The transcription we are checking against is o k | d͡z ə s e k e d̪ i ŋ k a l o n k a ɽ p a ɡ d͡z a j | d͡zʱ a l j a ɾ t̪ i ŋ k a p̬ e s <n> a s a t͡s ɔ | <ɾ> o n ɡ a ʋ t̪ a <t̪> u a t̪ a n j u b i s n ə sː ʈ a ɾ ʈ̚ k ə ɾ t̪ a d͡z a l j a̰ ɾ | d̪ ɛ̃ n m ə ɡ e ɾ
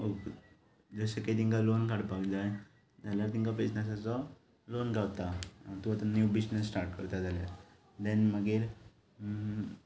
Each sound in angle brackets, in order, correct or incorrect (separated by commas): correct, incorrect, correct